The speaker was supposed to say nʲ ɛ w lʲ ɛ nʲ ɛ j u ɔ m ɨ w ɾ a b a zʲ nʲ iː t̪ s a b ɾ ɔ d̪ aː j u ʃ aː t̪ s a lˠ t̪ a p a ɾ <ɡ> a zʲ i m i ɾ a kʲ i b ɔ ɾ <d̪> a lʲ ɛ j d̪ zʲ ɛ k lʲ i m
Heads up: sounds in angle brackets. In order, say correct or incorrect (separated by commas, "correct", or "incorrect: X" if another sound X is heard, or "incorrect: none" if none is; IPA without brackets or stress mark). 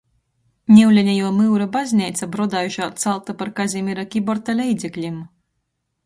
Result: incorrect: k, incorrect: t̪